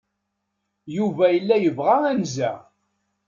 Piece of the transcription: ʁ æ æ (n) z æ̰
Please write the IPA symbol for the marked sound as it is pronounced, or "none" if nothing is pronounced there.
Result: n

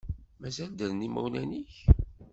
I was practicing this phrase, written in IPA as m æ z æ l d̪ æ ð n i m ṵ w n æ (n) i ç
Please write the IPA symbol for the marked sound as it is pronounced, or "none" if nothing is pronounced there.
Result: n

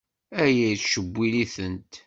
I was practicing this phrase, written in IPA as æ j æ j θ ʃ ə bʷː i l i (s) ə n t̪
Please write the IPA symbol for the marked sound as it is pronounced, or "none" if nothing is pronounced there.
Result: θ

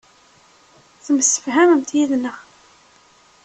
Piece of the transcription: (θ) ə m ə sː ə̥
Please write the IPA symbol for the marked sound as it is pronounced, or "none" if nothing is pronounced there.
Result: θ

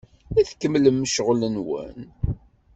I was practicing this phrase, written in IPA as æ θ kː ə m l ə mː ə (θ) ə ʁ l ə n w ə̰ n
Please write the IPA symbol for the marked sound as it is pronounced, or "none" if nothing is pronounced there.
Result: ʃ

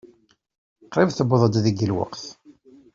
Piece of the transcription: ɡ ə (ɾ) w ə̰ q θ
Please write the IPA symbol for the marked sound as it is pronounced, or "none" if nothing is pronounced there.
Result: l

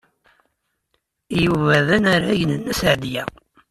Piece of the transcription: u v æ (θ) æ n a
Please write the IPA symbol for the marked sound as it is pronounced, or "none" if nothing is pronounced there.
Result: ð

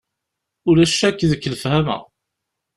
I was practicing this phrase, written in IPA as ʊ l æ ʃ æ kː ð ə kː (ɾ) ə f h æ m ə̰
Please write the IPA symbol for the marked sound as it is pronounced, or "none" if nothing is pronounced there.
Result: l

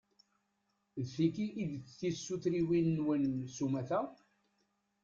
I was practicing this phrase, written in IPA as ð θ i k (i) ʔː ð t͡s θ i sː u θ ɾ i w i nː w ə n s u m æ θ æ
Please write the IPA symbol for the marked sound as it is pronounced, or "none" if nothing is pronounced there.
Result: i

